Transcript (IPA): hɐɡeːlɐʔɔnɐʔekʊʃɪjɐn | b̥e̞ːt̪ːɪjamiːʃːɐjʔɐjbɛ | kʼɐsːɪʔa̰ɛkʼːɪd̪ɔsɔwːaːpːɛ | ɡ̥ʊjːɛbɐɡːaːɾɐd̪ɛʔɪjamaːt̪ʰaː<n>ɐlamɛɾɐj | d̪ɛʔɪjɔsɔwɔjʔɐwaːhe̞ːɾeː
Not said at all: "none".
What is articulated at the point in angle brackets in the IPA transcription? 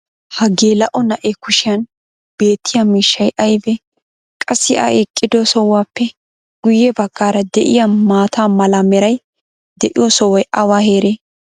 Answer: m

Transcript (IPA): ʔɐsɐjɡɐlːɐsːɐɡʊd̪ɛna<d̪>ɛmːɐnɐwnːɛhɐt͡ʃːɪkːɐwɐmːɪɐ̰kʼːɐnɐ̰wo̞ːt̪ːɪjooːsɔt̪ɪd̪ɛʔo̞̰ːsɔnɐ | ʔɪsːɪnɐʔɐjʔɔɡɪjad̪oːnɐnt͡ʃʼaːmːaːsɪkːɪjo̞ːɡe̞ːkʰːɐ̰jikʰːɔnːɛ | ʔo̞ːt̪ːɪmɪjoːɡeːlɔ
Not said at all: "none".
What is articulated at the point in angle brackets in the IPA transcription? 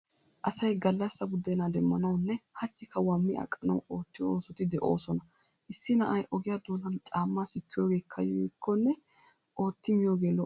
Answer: d̪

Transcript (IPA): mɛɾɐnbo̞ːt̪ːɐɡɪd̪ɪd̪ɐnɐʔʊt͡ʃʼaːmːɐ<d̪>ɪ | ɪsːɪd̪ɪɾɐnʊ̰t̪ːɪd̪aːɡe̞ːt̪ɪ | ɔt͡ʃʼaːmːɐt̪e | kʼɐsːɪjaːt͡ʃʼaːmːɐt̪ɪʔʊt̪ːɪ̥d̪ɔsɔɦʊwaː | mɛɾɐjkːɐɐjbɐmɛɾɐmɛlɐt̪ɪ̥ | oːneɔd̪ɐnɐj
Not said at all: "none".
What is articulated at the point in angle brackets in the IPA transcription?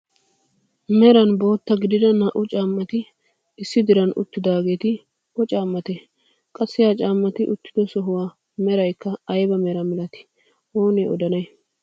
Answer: t̪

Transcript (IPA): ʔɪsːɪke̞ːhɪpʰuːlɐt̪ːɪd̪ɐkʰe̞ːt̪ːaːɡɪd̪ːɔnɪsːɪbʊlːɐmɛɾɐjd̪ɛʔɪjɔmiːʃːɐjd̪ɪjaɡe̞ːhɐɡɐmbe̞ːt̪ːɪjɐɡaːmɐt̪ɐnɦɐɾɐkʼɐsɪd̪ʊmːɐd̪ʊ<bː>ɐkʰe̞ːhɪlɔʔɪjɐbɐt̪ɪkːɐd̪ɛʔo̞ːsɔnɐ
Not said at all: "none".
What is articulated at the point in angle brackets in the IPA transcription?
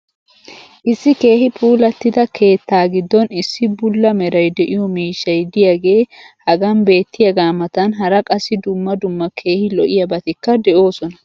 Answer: mː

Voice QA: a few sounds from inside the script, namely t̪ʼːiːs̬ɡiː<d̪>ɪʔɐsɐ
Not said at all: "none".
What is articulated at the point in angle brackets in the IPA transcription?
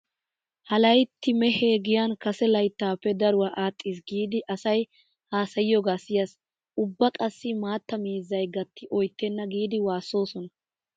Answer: d̪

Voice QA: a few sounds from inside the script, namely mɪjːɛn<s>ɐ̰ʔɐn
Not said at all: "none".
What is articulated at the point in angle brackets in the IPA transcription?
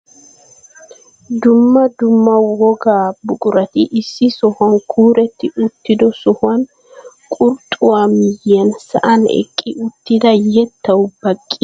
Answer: s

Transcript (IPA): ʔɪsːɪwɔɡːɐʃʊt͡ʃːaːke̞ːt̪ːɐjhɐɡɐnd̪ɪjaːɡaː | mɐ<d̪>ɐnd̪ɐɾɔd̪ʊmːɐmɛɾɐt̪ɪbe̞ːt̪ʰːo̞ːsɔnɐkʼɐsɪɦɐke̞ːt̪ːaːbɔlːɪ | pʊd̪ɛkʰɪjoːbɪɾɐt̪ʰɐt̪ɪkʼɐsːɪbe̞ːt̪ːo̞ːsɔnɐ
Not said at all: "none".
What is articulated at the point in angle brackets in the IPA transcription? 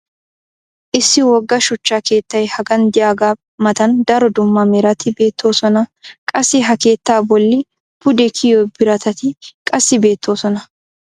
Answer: t̪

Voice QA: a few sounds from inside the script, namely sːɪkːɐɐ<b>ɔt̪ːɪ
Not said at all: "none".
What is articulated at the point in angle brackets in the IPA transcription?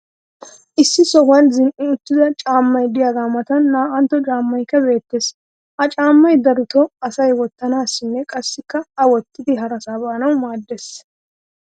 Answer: w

